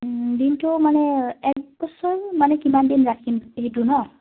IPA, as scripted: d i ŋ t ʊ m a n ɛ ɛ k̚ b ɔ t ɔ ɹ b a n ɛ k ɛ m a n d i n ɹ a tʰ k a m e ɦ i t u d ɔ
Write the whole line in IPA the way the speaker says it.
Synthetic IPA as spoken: d i n t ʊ m a n ɛ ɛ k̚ b ɔ s ɔ ɹ m a n ɛ k i m a n d i n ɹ a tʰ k i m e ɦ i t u n ɔ